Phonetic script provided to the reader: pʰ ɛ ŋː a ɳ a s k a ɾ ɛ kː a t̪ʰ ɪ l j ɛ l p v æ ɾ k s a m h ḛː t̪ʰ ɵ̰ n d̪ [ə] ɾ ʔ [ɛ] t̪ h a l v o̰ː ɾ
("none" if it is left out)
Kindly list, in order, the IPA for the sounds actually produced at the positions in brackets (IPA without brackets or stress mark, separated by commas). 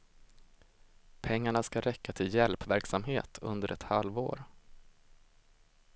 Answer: ə, ɛ